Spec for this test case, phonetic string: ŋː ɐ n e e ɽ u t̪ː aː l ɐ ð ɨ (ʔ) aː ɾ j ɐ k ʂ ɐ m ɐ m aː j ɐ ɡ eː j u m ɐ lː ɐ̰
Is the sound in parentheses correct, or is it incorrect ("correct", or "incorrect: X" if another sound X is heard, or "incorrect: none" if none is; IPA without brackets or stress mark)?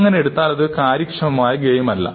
incorrect: k